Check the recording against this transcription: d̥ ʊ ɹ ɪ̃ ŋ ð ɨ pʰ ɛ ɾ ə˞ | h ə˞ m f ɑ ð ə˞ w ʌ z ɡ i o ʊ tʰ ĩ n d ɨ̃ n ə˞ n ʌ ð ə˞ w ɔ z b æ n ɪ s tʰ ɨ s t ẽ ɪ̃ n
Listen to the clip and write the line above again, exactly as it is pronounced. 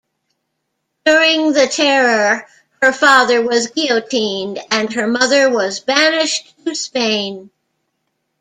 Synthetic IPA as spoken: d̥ ʊ ɹ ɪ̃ ŋ ð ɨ tʰ ɛ ɹ ə˞ | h ə˞ f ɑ ð ə˞ w ʌ z ɡ i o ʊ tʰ ĩ n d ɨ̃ n ə˞ m ʌ ð ə˞ w ʌ z b æ n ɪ ʃ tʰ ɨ s p ẽ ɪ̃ n